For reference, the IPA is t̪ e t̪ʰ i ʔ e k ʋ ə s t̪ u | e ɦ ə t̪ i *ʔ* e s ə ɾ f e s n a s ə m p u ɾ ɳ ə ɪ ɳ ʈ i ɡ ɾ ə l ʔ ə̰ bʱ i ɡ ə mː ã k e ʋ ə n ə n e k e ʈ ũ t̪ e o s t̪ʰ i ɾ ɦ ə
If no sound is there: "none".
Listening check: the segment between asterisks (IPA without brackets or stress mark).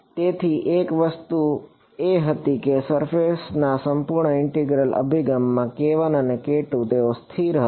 k